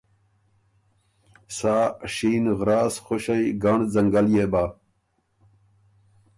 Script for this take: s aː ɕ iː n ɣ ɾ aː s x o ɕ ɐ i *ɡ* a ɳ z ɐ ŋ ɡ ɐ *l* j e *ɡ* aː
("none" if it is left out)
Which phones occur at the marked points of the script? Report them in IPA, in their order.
ɡ, l, b

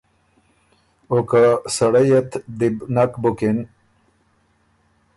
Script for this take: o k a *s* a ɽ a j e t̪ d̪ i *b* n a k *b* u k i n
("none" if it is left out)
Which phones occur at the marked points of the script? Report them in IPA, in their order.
s, b, b

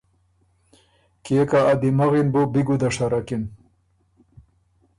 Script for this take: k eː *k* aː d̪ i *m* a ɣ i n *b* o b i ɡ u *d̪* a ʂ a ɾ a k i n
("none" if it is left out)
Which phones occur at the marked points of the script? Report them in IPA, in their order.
k, m, b, d̪

